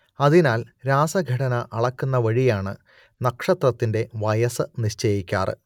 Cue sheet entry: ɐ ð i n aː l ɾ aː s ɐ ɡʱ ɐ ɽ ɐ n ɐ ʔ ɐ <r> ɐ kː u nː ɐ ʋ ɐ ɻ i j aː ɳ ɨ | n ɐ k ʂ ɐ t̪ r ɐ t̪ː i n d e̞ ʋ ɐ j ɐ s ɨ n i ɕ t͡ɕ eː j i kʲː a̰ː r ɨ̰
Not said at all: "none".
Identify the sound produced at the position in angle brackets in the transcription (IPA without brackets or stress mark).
ɭ